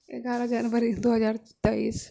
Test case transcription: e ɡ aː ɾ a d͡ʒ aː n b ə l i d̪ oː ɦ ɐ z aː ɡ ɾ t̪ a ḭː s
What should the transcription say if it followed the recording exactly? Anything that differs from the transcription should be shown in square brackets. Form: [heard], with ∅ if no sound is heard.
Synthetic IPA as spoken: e ɡ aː ɾ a d͡ʒ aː n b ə [ɾ] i d̪ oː ɦ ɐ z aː [∅] ɾ t̪ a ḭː s